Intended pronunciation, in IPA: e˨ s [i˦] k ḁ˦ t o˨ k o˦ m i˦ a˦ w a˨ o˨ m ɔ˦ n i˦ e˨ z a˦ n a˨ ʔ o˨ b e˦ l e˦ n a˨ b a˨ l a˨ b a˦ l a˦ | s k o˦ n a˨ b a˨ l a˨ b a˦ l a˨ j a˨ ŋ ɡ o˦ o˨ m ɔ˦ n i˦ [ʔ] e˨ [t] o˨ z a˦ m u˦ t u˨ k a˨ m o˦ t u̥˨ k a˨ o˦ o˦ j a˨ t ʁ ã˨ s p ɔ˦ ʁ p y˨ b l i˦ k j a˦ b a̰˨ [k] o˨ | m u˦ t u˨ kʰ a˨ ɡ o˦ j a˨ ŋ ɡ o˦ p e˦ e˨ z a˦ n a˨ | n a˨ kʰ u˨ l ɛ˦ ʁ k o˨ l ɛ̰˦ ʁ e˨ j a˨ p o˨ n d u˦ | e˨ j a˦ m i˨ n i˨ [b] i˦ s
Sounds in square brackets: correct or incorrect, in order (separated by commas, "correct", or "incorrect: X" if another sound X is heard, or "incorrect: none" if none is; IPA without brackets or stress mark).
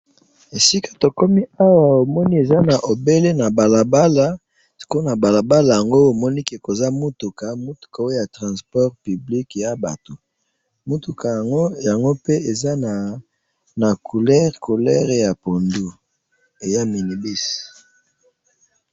correct, incorrect: k, incorrect: k, incorrect: t, correct